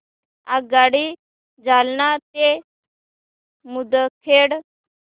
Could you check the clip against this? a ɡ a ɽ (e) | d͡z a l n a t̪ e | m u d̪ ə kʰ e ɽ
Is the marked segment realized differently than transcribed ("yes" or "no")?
yes